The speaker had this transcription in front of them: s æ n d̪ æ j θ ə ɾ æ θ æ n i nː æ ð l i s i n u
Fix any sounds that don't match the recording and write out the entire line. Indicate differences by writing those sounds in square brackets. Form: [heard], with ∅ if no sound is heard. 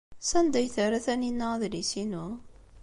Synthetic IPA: s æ n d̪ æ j θ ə ɾ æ θ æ n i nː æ ð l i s i n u